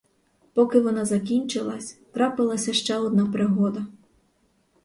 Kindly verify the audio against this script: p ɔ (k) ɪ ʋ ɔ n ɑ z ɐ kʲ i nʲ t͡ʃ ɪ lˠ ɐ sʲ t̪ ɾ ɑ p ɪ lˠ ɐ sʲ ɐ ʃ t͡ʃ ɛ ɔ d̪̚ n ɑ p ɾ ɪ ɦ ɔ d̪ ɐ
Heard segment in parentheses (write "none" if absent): k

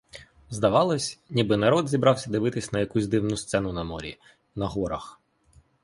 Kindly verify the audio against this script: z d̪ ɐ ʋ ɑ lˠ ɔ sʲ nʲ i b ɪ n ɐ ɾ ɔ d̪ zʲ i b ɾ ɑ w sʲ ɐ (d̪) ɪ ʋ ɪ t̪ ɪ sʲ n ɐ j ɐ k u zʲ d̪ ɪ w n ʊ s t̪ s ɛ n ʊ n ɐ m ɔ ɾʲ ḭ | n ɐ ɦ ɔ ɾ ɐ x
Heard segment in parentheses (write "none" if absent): d̪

